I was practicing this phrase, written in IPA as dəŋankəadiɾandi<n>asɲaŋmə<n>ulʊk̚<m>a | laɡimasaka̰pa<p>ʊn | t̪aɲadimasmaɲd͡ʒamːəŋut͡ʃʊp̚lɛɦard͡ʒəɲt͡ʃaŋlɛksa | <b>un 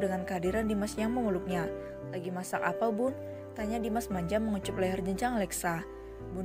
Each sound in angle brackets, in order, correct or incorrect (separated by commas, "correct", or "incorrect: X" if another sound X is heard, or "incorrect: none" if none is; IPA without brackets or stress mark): incorrect: m, incorrect: ŋ, incorrect: ɲ, incorrect: b, correct